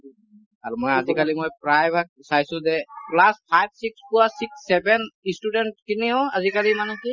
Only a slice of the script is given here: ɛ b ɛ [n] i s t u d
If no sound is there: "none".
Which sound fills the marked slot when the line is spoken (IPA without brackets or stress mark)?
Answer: n